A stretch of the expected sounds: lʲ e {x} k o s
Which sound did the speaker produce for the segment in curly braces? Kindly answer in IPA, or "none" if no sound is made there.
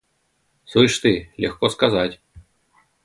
x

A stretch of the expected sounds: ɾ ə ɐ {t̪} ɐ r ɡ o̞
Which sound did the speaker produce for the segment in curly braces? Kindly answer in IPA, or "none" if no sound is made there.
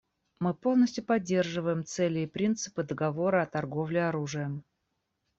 t̪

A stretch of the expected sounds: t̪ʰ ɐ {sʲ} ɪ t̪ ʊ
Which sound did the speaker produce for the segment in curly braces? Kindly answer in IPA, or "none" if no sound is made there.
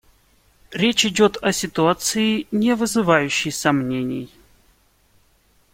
sʲ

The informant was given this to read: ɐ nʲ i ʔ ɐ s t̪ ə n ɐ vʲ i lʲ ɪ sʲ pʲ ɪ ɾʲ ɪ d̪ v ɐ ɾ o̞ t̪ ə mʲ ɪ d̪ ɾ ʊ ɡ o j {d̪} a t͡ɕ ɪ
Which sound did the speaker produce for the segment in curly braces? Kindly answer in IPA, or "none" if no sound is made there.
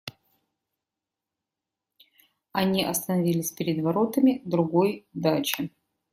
d̪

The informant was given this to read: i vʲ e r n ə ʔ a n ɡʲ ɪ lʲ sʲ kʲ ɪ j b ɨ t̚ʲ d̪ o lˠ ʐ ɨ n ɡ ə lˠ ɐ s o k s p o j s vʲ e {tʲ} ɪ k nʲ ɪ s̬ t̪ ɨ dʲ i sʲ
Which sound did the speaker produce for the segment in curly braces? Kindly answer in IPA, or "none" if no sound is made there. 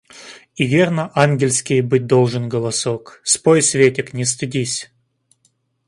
tʲ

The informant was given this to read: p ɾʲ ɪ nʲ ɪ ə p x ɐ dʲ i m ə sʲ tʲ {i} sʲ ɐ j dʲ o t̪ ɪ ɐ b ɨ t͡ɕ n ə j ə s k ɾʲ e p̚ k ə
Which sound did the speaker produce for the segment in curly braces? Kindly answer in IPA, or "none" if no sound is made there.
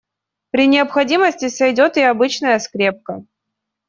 ɪ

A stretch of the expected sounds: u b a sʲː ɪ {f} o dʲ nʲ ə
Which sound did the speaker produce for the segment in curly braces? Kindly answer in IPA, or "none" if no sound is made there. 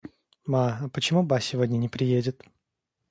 v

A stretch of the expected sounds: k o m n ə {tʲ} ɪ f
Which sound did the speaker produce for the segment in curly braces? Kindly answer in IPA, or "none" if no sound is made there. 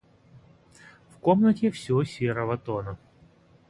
tʲ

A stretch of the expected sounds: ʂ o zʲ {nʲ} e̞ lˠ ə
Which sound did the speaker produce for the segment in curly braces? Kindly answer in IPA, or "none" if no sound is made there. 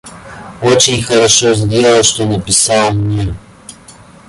dʲ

